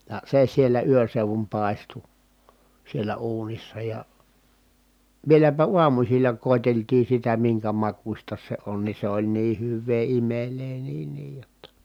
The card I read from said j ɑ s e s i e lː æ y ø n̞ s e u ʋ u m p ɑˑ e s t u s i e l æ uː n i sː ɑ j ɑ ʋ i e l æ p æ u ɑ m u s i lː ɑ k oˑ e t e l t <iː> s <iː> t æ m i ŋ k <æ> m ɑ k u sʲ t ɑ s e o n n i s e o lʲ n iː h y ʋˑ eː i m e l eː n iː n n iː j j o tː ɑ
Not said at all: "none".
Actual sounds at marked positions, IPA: iː, i, æ

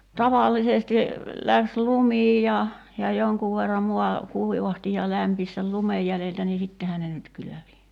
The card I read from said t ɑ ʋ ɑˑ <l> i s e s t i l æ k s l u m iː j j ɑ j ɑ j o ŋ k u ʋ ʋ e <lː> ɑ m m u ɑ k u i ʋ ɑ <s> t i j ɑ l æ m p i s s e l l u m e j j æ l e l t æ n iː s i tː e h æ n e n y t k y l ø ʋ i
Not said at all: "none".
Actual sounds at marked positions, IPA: lː, rː, h

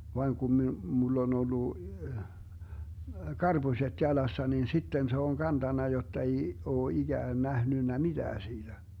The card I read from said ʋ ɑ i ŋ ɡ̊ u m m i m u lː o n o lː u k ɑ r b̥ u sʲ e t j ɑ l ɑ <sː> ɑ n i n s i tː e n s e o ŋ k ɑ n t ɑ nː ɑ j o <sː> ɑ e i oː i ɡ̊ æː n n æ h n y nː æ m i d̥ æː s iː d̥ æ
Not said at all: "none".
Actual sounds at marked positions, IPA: sː, tː

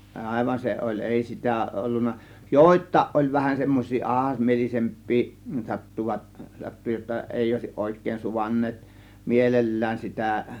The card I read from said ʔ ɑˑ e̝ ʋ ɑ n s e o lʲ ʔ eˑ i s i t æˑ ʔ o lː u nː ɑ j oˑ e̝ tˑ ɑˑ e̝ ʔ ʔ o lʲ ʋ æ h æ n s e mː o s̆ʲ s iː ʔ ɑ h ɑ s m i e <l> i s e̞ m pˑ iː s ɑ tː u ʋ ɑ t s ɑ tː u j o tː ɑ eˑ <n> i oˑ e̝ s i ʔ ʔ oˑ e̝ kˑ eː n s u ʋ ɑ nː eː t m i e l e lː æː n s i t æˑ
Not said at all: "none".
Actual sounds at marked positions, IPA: l, none

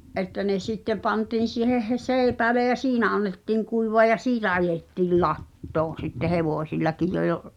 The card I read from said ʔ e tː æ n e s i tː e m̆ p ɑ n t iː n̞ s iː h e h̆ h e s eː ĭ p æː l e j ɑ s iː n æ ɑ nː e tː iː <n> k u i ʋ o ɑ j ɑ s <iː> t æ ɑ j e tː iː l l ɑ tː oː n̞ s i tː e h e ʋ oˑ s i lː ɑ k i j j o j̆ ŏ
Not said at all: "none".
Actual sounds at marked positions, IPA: ŋ, iː

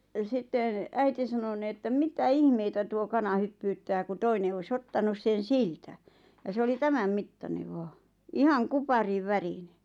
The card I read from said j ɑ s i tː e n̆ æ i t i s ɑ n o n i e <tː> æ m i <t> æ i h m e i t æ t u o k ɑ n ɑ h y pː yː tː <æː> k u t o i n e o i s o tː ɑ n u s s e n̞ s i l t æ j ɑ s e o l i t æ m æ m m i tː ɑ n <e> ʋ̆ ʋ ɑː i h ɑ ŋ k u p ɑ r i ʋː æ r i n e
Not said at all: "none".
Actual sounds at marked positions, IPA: tː, t, æː, e

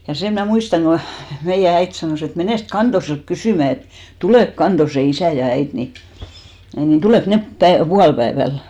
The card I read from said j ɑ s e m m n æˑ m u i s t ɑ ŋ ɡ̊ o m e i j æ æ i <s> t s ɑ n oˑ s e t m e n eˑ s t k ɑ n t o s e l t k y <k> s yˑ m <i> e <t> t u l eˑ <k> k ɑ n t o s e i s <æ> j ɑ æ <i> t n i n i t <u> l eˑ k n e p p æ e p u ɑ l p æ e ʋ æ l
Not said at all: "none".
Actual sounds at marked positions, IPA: none, none, æ, t, k, æ, i, u

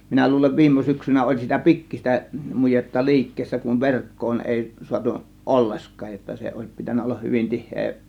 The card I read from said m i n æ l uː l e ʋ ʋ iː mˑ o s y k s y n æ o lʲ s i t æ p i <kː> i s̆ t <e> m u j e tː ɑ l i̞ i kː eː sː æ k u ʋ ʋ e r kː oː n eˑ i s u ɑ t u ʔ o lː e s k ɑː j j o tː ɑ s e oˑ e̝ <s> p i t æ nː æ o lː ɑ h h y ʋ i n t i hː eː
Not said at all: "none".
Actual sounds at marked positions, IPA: kː, æ, s

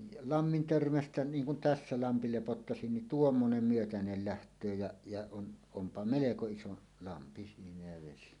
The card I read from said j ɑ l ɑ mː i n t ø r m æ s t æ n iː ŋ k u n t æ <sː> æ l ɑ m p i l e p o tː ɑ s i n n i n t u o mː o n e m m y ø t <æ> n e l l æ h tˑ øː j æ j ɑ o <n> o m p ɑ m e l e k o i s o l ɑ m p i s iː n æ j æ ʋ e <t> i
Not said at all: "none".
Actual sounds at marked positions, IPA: sː, æ, n, s

